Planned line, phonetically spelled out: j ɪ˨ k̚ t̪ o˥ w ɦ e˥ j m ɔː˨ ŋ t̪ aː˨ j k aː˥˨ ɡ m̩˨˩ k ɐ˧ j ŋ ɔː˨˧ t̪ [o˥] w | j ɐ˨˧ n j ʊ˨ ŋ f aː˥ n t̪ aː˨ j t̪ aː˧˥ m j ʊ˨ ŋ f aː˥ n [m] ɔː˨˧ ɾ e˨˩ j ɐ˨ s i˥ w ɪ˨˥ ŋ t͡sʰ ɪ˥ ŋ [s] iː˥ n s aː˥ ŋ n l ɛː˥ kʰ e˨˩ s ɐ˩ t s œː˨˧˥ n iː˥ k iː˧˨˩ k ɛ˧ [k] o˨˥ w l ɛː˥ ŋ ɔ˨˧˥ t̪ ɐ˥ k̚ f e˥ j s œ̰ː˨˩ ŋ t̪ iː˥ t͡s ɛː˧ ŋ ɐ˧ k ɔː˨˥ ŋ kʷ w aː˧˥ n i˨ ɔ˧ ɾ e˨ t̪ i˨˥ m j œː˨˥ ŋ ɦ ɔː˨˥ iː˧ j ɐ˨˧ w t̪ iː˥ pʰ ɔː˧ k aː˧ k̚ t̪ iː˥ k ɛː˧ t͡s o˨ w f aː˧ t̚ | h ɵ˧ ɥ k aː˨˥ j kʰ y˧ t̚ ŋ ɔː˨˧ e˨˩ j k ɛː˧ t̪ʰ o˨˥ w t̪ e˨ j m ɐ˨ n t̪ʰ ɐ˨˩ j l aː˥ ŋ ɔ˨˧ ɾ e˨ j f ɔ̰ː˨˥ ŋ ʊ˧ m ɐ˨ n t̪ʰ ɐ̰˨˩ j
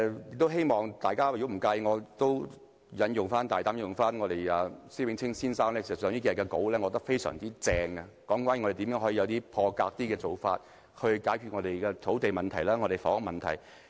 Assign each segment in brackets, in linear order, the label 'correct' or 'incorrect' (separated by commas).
correct, incorrect, correct, correct